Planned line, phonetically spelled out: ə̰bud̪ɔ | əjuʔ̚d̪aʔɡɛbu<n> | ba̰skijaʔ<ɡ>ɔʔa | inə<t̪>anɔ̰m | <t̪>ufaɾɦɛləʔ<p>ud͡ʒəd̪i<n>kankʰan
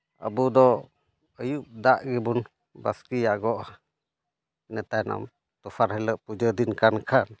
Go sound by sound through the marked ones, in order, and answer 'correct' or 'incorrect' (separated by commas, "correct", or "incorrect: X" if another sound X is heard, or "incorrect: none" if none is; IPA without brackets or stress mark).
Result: correct, correct, correct, correct, correct, correct